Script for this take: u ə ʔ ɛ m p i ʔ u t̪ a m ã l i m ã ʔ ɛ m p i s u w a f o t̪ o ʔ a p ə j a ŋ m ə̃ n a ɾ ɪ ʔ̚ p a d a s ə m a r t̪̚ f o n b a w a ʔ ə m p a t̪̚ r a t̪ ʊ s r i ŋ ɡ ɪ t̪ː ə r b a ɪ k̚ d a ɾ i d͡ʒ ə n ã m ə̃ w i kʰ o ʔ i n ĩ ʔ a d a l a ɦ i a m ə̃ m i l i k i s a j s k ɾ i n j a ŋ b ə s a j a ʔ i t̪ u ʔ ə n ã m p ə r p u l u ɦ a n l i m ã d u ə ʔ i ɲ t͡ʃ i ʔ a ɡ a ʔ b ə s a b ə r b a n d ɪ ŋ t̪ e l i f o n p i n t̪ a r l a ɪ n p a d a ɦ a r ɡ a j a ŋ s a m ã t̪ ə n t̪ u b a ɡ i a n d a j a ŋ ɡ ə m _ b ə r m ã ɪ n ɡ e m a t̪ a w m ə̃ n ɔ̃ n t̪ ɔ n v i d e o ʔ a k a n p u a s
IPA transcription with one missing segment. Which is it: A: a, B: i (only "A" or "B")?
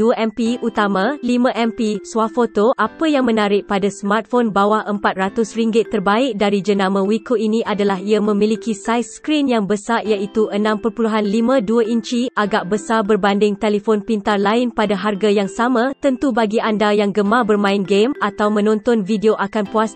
A